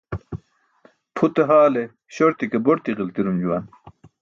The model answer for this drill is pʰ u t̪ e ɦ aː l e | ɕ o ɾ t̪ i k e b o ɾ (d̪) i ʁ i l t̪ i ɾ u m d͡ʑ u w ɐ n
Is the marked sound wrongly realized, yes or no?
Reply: yes